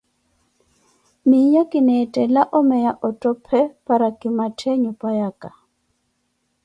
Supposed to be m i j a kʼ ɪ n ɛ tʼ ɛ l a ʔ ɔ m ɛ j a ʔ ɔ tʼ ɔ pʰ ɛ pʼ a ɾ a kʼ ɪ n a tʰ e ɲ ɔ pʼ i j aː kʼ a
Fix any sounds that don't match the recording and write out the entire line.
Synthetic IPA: m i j a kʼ ɪ n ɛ tʼ ɛ l a ʔ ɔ m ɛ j a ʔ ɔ tʼ ɔ pʰ ɛ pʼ a ɾ a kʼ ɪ m a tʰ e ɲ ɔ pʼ a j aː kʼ a

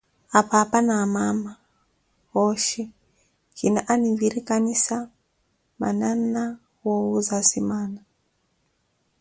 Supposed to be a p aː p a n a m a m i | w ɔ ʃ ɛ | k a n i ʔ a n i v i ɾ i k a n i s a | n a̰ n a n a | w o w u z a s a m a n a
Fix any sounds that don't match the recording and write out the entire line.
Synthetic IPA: a p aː p a n a m a m a | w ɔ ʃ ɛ | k i n a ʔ a n i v i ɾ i k a n i s a | m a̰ n a n a | w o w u z a s i m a n a

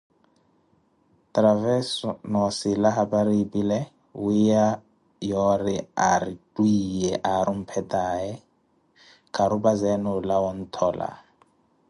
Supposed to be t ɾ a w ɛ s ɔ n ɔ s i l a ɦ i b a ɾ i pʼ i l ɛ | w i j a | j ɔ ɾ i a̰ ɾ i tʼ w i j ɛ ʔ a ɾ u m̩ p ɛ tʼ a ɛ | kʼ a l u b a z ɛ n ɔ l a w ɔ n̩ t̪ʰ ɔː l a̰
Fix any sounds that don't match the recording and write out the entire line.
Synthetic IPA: t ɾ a v ɛ s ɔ n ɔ s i l a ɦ a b a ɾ i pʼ i l ɛ | w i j a | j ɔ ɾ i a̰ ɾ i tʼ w i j ɛ ʔ a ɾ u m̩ pʰ ɛ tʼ a ɛ | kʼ a ɾ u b a z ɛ n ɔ l a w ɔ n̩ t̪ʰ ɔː l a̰

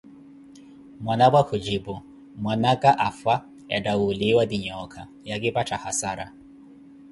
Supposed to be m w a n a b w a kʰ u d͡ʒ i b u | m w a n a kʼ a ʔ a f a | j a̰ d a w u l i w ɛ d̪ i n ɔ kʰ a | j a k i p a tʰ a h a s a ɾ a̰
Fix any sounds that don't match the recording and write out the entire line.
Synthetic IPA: m w a n a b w a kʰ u d͡ʒ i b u | m w a n a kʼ a ʔ a f a | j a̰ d a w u l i w a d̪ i ɲ ɔ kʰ a | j a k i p a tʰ a h a s a ɾ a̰

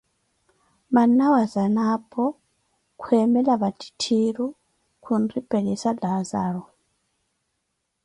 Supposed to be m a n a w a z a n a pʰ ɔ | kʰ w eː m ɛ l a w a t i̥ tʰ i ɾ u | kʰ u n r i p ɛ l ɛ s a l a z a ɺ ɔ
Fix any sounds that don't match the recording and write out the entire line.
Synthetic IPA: m a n a w a z a n a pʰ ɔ | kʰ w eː m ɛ l a β a t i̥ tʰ i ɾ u | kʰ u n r i p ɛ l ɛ s a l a z a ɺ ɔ

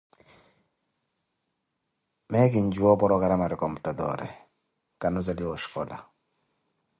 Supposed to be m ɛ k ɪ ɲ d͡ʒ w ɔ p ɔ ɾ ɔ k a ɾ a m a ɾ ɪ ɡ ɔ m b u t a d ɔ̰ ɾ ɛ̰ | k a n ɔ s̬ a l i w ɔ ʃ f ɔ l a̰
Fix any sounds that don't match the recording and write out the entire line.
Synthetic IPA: m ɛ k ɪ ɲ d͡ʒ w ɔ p ɔ ɾ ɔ k a ɾ a m a ɾ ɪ k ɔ m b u t a d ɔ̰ ɾ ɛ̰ | k a n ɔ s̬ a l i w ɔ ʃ f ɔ l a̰

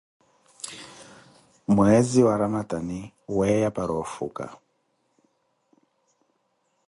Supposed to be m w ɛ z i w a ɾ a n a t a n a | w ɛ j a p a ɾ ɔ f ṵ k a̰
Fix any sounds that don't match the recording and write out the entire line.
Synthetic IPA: m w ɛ z i w a ɾ a m a t a n i | w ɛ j a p a ɾ ɔ f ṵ k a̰

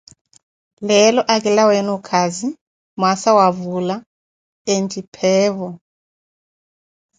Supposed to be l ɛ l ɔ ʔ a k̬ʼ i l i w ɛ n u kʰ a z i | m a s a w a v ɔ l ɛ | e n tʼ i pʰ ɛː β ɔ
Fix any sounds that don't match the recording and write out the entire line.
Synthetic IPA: l ɛ l ɔ ʔ a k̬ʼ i l a w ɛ n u kʰ a z i | m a s a w a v u l a | e n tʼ i pʰ ɛː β ɔ

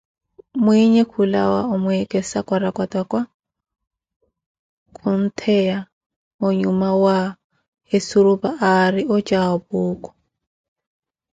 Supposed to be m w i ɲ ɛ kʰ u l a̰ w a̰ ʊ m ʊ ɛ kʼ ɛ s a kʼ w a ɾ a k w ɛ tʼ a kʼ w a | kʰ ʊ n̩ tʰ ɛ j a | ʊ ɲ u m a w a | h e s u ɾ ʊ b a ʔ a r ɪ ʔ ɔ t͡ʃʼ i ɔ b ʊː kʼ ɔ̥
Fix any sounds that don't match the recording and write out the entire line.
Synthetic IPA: m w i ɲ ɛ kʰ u l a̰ w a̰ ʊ m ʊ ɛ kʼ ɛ s a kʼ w a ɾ a k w a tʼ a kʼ w a | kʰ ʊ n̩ tʰ ɛ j a | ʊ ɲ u m a w a | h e s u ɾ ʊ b a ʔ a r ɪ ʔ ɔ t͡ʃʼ a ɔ b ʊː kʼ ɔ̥

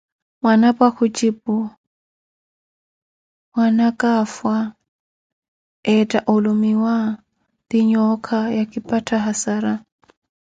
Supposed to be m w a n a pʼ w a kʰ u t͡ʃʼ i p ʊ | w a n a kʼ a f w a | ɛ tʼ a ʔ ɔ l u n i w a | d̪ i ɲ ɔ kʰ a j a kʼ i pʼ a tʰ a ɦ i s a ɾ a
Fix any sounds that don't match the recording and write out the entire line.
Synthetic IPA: m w a n a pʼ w a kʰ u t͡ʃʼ i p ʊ | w a n a kʼ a f w a | ɛ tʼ a ʔ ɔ l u m i w a | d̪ i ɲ ɔ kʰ a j a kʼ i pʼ a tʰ a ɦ a s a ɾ a

